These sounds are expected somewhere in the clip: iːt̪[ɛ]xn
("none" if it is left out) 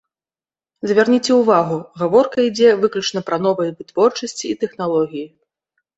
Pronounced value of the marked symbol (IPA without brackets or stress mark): ɛ